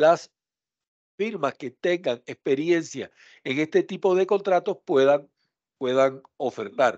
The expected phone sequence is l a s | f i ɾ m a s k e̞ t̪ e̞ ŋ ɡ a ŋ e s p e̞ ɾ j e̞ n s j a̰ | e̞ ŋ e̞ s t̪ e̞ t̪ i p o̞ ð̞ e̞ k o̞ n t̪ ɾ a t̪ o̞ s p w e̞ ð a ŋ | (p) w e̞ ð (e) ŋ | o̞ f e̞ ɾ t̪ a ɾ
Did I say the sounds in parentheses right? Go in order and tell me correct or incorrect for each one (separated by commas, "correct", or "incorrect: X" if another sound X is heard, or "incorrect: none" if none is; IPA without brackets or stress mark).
correct, incorrect: a